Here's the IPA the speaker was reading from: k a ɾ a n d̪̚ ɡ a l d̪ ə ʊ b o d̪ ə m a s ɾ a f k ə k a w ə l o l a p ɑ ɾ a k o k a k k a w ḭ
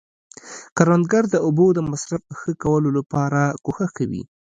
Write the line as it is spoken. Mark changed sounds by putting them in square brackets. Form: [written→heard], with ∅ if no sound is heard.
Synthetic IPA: k a ɾ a n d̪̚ ɡ a [l→ɾ] d̪ ə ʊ b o d̪ ə m a s ɾ a f [k→x] ə k a w ə l o l a p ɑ ɾ a k o [k→x] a [k→x] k a w ḭ